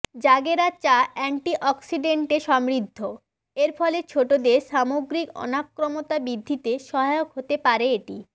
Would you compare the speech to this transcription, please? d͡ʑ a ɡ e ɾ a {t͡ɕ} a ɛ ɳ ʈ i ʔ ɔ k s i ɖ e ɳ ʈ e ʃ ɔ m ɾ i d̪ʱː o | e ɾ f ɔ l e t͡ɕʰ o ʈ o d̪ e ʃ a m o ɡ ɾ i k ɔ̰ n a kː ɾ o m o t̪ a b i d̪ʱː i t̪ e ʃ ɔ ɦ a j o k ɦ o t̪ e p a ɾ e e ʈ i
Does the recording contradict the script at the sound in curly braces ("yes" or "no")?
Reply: no